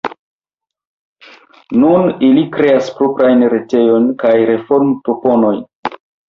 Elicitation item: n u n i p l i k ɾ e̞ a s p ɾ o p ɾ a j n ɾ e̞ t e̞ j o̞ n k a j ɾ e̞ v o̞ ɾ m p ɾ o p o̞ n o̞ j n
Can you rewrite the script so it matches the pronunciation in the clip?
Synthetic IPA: n u n i l i k ɾ e̞ a s p ɾ o p ɾ a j n ɾ e̞ t e̞ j o̞ n k a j ɾ e̞ f o̞ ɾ m p ɾ o p o̞ n o̞ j n

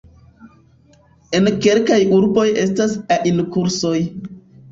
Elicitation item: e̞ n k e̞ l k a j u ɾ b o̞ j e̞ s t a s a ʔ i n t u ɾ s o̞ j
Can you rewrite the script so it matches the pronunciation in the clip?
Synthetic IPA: e̞ n k e̞ l k a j u ɾ b o̞ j e̞ s t a s a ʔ i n k u ɾ s o̞ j

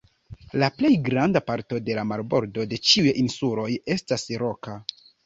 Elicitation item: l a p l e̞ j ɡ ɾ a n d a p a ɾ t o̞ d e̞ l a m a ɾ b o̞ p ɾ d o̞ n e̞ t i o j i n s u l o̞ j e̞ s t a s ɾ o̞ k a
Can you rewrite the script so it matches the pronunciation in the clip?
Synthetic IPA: l a p l e̞ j ɡ ɾ a n d a p a ɾ t o̞ d e̞ l a m a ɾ b o̞ ɾ d o̞ d e̞ t͡ʃ i u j i n s u l o̞ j e̞ s t a s ɾ o̞ k a

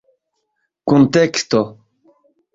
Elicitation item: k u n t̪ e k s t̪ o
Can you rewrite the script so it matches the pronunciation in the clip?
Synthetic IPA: k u n t̪ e k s t̪ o

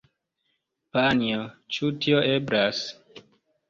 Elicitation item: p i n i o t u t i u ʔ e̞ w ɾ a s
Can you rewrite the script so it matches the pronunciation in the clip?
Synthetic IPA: p a n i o t͡ʃ u t i o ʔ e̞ b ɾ a s

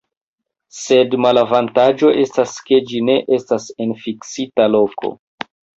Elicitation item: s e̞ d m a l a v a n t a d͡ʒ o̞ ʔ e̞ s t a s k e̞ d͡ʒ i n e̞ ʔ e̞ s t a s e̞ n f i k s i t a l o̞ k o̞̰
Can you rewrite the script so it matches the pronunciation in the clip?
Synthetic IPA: s e̞ d m a l a v a n t a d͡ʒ o̞ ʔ e̞ s t a s k e̞ d͡ʒ i n e̞ ʔ e̞ s t a s e̞ n f i k s i t a l o̞ k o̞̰

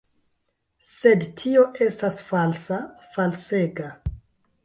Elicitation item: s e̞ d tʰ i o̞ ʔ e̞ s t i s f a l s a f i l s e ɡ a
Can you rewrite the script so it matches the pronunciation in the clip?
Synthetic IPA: s e̞ d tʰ i o̞ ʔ e̞ s t a s f a l s a f a l s e ɡ a

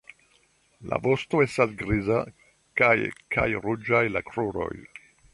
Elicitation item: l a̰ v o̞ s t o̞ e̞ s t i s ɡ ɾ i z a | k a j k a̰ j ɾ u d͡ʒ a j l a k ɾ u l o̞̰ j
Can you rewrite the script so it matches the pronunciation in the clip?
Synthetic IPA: l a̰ v o̞ s t o̞ e̞ s t a s ɡ ɾ i z a | k a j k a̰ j ɾ u d͡ʒ a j l a k ɾ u ɾ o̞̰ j

